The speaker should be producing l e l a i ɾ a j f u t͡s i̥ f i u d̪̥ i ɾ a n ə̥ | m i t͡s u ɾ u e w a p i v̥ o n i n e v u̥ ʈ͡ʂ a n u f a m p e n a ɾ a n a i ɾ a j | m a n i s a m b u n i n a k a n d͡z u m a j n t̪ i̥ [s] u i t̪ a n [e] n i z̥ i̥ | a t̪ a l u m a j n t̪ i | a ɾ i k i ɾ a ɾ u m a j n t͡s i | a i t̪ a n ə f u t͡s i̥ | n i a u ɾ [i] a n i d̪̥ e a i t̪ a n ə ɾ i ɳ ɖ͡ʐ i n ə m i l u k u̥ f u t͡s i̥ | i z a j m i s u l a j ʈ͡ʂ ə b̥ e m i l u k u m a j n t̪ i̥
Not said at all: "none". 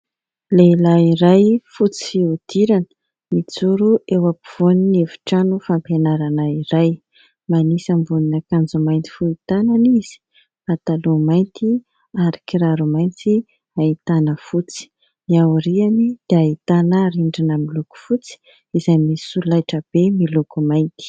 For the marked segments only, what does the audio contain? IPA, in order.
f, a, i

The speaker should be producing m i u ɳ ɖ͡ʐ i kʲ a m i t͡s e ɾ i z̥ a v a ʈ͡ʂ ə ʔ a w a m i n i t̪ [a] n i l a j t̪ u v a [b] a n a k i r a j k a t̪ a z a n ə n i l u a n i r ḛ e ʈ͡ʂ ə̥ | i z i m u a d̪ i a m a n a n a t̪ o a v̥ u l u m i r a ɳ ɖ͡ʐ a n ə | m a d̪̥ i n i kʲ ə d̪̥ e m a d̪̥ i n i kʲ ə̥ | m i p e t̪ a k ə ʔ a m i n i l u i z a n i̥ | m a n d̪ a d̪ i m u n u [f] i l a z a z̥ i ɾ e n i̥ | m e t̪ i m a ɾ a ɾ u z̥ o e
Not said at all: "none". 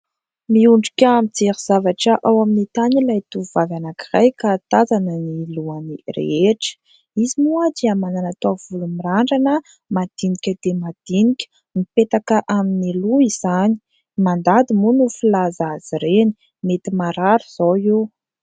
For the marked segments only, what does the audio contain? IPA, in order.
a, v, f

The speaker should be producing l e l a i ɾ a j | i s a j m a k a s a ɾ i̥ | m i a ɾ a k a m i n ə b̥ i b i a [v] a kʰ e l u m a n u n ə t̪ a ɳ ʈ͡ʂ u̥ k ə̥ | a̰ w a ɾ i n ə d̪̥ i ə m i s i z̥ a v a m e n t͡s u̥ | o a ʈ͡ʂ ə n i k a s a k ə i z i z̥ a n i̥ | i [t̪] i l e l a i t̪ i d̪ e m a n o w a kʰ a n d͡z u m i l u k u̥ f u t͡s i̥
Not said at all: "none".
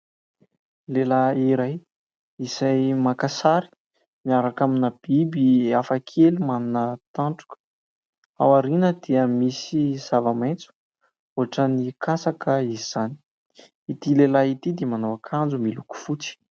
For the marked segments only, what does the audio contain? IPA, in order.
f, t̪

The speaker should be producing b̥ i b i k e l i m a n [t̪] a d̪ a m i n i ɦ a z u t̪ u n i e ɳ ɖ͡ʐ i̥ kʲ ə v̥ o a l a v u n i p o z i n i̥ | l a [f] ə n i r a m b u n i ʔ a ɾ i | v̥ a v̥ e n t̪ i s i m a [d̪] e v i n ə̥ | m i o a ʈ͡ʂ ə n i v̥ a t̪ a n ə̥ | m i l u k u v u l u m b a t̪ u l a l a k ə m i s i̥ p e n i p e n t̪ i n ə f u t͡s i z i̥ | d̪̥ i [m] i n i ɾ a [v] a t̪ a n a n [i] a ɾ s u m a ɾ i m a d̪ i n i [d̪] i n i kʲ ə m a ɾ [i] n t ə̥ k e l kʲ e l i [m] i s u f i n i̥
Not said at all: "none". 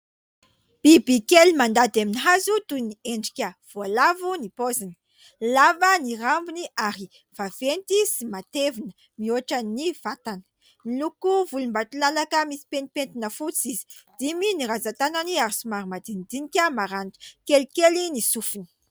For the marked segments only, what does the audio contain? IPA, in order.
d̪, v, t̪, m, z, i, d̪, a, n

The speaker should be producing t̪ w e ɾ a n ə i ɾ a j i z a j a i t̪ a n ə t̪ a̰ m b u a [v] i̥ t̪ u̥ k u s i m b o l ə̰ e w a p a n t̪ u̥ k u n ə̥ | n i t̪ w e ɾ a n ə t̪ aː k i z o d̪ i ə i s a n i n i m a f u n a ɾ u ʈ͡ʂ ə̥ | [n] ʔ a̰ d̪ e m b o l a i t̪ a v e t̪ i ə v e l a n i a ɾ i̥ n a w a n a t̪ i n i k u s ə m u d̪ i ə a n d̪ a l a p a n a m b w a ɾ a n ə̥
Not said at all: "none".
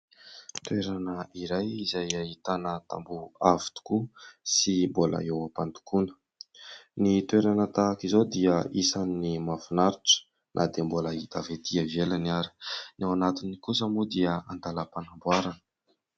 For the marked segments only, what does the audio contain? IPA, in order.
v, n

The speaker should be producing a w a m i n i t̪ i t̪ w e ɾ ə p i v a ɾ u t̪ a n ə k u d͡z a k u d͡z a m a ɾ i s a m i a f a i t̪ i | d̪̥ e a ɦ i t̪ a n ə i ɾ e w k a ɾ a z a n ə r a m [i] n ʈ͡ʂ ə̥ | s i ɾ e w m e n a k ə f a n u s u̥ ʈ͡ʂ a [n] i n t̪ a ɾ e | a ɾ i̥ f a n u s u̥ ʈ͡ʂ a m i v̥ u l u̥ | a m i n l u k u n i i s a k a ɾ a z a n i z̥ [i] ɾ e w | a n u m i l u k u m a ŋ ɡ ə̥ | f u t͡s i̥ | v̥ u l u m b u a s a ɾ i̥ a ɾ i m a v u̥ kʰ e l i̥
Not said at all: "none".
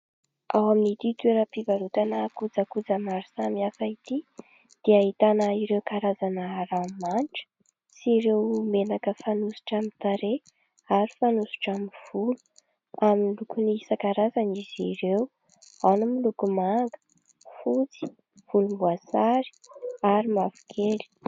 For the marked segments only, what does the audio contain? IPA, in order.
a, m, i

